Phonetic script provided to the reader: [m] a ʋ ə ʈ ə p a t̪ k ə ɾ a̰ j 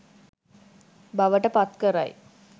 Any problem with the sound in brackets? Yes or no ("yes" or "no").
yes